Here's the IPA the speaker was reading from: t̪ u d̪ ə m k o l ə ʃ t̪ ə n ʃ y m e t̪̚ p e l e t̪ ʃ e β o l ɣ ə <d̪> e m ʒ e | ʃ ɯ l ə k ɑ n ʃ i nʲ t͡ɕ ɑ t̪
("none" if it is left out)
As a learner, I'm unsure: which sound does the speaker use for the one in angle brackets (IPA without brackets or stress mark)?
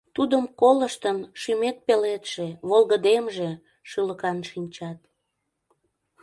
d̪